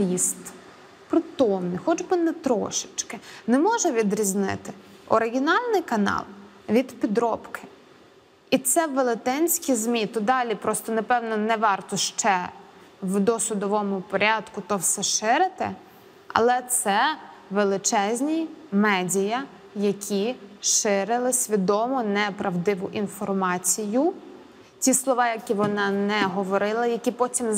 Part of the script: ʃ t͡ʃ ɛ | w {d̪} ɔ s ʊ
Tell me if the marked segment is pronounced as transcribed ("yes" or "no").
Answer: yes